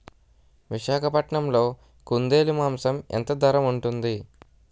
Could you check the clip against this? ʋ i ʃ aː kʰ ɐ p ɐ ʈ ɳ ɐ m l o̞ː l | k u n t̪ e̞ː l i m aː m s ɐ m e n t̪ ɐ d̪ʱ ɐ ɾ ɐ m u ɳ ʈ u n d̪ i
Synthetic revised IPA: ʋ i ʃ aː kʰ ɐ p ɐ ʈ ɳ ɐ m l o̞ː | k u n d̪ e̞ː l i m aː m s ɐ m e n t̪ ɐ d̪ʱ ɐ ɾ ɐ m u ɳ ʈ u n d̪ i